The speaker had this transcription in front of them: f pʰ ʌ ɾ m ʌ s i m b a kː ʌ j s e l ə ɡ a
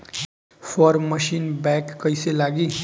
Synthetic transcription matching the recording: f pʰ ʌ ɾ m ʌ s i n b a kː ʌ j s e l a ɡ i